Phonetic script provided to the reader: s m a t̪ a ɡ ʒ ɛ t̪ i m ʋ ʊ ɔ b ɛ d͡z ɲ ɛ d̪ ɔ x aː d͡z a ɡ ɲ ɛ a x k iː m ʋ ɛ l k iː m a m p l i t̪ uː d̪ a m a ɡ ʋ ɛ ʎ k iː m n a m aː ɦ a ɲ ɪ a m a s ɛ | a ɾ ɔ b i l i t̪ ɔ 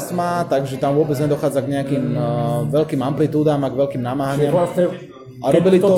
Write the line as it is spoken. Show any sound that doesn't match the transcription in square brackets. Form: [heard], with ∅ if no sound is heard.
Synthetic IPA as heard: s m a t̪ a ɡ ʒ ɛ t̪ [a] m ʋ ʊ ɔ b ɛ d͡z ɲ ɛ d̪ ɔ x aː d͡z a ɡ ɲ ɛ a [∅] k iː m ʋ ɛ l k iː m a m p l i t̪ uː d̪ a m a ɡ ʋ ɛ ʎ k iː m n a m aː ɦ a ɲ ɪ a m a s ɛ | a ɾ ɔ b i l i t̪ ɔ